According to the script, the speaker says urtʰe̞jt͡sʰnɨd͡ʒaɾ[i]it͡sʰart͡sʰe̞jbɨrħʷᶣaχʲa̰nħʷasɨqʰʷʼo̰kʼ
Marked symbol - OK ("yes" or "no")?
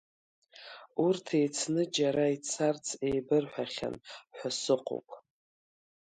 no